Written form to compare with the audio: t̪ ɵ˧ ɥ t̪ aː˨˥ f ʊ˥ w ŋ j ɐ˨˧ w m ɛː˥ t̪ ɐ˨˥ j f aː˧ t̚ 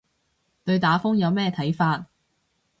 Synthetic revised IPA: t̪ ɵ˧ ɥ t̪ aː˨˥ f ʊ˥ ŋ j ɐ˨˧ w m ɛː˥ t̪ʰ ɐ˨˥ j f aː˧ t̚